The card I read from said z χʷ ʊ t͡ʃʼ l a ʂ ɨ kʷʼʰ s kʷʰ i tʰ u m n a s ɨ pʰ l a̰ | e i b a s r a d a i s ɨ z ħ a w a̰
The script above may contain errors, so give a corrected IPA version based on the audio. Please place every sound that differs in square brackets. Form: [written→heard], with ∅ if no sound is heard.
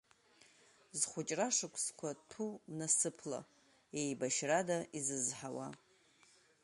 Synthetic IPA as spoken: z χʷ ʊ t͡ʃʼ [l→r] a ʂ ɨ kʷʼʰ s kʷʰ [i→a] tʰ u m n a s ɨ pʰ l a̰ | e [i→j] b a [s→ʃ] r a d a i [s→z] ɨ z ħ a w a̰